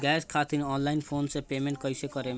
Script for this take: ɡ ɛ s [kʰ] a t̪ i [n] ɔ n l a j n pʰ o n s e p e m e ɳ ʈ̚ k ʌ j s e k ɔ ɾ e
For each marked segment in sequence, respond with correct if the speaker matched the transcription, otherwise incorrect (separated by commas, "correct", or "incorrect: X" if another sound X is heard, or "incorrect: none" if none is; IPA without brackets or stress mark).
correct, correct